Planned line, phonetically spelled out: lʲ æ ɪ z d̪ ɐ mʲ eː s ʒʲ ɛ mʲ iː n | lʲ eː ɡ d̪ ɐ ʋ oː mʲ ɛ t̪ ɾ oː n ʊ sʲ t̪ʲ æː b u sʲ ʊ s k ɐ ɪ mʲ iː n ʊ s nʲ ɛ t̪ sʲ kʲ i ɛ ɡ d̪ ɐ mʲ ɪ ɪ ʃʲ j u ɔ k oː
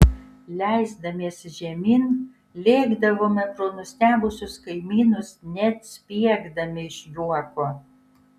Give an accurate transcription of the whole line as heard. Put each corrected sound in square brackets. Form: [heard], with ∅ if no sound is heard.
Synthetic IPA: lʲ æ ɪ z d̪ ɐ mʲ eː s ʒʲ ɛ mʲ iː n | lʲ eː ɡ d̪ ɐ ʋ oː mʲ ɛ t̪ ɾ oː n ʊ sʲ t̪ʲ æː b [ʊ] sʲ ʊ s k ɐ ɪ mʲ iː n ʊ s nʲ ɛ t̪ sʲ [pʲ] i ɛ ɡ d̪ ɐ mʲ ɪ ɪ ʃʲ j u ɔ k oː